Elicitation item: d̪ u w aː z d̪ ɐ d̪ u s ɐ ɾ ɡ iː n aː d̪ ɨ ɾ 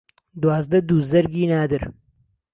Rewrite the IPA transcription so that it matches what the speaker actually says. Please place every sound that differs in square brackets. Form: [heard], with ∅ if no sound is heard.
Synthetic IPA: d̪ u w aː z d̪ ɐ d̪ u [z] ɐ ɾ ɡ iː n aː d̪ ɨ ɾ

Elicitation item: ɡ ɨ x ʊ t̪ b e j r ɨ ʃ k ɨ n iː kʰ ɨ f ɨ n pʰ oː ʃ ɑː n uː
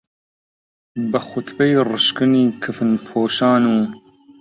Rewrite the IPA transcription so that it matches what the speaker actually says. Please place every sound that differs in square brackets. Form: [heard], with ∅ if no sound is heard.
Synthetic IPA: [b] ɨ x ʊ t̪ b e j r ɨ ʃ k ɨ n iː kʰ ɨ f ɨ n pʰ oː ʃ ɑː n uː

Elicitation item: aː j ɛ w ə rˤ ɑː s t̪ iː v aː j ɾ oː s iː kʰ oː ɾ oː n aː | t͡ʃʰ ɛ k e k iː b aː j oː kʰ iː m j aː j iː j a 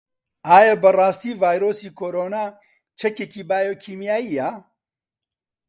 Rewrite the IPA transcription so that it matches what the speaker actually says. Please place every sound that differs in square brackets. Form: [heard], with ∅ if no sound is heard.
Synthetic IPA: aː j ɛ [b] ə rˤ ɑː s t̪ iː v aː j ɾ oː s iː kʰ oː ɾ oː n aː | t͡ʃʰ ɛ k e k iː b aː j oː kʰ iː m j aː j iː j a

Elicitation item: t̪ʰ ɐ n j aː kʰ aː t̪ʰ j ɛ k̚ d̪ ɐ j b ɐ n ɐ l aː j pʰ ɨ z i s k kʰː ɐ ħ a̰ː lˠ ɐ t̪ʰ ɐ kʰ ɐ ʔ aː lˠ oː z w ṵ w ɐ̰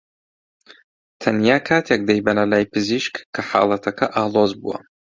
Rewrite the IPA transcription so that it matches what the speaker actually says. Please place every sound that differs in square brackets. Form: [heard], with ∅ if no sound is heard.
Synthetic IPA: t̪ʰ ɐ n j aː kʰ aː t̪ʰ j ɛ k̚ d̪ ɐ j b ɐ n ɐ l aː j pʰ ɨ z i [ʃ] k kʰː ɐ ħ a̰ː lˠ ɐ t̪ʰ ɐ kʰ ɐ ʔ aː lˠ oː z [b] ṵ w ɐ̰

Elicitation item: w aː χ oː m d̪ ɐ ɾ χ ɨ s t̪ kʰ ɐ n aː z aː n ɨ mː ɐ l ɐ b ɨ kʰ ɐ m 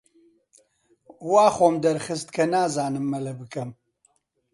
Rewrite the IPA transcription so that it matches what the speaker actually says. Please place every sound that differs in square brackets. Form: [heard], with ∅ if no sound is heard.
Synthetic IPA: w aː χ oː m d̪ ɐ ɾ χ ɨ s t̪ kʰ ɐ n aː z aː n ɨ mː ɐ l ɐ b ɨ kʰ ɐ m

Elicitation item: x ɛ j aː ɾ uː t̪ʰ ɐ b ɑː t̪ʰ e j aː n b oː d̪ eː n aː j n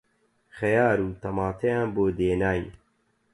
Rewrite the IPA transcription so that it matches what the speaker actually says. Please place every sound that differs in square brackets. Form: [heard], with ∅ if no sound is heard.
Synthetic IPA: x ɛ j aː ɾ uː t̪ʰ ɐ [m] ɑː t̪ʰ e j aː n b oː d̪ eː n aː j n

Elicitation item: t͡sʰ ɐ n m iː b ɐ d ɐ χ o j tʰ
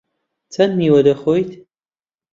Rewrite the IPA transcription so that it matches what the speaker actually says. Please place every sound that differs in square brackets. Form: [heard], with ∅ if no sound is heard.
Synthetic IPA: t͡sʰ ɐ n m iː [w] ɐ d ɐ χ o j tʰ

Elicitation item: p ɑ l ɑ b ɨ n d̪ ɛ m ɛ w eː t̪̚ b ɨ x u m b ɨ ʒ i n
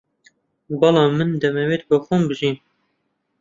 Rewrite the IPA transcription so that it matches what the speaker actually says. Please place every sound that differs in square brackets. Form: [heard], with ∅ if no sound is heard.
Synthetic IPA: [b] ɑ l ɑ [m] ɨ n d̪ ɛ m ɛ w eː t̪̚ b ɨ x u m b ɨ ʒ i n

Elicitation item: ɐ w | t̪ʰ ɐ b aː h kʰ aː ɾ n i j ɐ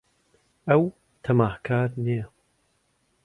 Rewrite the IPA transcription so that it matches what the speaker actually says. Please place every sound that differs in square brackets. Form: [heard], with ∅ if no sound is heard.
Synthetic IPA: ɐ w | t̪ʰ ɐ [m] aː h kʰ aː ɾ n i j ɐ

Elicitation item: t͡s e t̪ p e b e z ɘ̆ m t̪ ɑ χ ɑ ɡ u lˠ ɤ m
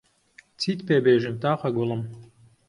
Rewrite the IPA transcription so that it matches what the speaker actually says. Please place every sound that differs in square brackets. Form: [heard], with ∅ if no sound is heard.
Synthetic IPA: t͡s [i] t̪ p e b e [ʒ] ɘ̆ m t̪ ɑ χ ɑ ɡ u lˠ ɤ m

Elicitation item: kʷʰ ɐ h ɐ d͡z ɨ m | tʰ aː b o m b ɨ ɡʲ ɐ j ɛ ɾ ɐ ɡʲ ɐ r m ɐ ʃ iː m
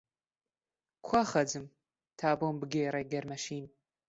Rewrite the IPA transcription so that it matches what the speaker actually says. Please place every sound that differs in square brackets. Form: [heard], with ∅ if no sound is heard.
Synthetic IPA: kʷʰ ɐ [χ] ɐ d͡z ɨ m | tʰ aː b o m b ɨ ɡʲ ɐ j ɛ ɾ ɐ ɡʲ ɐ r m ɐ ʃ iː [n]

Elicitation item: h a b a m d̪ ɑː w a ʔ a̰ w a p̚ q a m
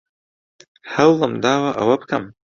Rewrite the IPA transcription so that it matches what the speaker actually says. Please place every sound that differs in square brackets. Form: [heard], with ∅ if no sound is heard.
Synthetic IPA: h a [w] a m d̪ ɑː w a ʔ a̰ w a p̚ [k] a m

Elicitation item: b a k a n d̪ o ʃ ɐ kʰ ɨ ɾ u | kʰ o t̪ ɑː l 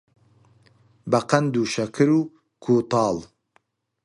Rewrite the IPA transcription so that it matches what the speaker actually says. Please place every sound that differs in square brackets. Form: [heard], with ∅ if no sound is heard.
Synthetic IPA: b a [q] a n d̪ [u] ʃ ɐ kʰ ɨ ɾ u | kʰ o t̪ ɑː l

